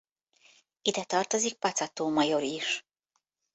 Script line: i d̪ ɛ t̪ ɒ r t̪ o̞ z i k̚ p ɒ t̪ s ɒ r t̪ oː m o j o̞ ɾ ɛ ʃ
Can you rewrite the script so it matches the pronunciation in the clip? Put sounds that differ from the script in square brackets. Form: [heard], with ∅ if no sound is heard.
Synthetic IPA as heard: i d̪ ɛ t̪ ɒ r t̪ o̞ z i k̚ p ɒ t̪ s ɒ [∅] t̪ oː m [ɒ] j o̞ ɾ [i] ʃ